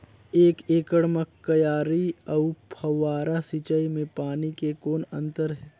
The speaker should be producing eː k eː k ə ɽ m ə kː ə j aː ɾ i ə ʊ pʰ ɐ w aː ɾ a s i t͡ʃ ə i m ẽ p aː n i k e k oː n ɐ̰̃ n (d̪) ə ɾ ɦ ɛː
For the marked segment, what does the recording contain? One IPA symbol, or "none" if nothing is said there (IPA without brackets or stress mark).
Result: t̪